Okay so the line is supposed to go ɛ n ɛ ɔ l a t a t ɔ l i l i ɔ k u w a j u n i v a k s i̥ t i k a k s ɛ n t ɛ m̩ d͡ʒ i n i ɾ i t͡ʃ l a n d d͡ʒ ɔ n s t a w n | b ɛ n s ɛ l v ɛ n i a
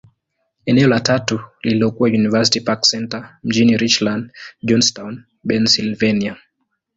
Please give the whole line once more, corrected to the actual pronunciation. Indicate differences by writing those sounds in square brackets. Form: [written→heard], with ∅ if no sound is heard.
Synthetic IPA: ɛ n ɛ ɔ l a t a t [ɔ→u] l i l i ɔ k u w a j u n i v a [k→∅] s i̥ t i [k→p] a k s ɛ n t [ɛ→a] m̩ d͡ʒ i n i ɾ i t͡ʃ l a n d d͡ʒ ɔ n s t a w n | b ɛ n s [ɛ→i] l v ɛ n i a